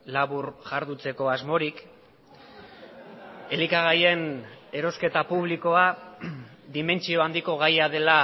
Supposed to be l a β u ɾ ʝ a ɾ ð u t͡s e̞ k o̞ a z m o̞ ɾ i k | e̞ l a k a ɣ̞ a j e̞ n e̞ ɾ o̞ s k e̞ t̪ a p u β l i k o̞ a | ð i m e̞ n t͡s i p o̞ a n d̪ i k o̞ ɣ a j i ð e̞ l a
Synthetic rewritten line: l a β u ɾ ʝ a ɾ ð u t͡s e̞ k o̞ a z m o̞ ɾ i k | e̞ l i k a ɣ̞ a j e̞ n e̞ ɾ o̞ s k e̞ t̪ a p u β l i k o̞ a | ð i m e̞ n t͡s i o̞ a n d̪ i k o̞ ɣ a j a ð e̞ l a